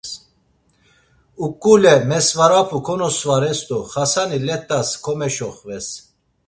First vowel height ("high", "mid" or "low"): high